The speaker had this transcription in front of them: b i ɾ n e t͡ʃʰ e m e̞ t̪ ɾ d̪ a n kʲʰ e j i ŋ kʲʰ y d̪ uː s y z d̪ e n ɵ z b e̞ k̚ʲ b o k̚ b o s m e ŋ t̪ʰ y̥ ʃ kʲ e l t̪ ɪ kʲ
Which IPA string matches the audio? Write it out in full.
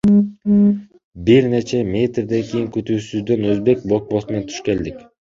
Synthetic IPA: b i ɾ n e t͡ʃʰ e m e̞ t̪ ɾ d̪ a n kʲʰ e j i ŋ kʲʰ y t̪ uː s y z d̪ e n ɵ z b e̞ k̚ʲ b o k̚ b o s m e n t̪ʰ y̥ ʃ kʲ e l d̪ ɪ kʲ